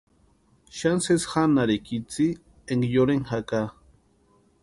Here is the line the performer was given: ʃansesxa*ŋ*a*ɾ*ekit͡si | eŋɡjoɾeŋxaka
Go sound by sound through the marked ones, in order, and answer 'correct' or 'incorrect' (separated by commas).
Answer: incorrect, correct